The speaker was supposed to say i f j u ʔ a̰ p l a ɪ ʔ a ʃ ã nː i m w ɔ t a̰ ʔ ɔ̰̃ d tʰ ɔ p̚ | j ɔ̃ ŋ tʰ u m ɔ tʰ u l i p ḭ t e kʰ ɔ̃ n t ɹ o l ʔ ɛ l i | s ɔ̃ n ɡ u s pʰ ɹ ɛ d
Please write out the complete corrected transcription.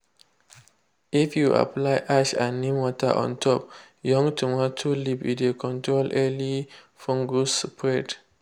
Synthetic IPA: i f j u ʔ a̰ p l a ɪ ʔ a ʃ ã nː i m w ɔ t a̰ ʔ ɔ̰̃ n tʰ ɔ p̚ | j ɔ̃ ŋ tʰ u m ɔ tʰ u l i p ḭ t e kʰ ɔ̃ n t ɹ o l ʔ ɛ l i | f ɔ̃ ŋ ɡ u s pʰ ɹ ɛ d